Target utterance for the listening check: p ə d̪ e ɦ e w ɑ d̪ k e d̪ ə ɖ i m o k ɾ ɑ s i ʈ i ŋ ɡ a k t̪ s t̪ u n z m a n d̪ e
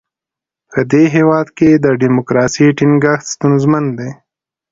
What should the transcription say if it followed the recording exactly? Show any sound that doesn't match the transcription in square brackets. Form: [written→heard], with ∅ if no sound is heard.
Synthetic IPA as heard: p ə d̪ e ɦ e w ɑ d̪ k e d̪ ə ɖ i m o k ɾ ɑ s i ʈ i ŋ ɡ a [k→x] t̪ s t̪ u n z m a n d̪ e